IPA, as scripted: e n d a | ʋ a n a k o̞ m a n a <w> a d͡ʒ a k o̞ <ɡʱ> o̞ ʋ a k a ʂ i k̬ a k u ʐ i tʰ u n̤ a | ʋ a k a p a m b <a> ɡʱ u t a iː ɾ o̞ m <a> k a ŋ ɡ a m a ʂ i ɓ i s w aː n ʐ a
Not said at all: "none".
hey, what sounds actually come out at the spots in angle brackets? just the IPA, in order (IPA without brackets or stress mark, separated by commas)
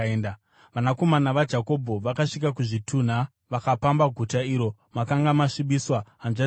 ʋ, bʱ, a, a